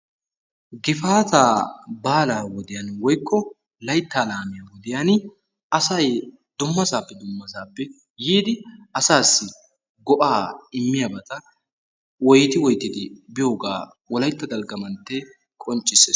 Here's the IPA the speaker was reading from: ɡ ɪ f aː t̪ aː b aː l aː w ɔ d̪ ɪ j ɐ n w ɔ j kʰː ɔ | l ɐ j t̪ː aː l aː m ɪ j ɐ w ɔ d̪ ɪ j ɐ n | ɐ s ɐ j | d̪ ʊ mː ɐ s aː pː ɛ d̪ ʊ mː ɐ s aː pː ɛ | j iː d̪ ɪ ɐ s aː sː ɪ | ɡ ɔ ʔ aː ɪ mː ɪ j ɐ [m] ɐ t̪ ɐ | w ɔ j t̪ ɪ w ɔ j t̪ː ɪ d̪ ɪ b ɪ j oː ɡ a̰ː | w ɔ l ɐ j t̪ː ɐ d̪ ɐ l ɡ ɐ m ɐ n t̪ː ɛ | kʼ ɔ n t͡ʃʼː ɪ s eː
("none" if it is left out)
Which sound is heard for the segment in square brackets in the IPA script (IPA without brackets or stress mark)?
b